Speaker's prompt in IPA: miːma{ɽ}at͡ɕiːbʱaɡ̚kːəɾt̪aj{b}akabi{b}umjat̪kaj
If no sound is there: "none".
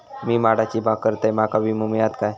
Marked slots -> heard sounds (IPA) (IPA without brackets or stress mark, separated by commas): ɽ, m, m